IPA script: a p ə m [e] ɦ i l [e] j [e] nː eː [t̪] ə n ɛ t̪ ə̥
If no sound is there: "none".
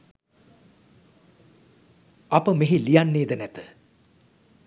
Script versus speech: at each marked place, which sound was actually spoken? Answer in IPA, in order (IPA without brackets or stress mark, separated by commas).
e, i, a, d̪